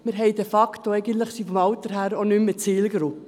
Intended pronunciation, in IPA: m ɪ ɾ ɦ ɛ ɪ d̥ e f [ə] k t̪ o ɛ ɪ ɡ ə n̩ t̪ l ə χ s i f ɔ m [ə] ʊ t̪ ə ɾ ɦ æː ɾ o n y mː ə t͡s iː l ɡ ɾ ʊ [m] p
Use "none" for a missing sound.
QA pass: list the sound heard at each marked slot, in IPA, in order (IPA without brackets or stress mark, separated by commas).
ɑ, ɑ, none